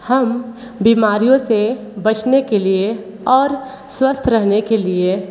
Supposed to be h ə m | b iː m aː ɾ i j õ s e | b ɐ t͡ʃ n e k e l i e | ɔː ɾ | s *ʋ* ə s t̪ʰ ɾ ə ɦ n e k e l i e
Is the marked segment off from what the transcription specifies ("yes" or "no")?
yes